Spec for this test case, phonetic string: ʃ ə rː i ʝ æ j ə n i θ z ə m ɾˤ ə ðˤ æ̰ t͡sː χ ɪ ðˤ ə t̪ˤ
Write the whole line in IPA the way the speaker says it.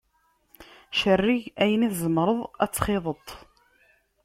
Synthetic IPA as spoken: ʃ ə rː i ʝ æ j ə n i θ z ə m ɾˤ ə ðˤ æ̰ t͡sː χ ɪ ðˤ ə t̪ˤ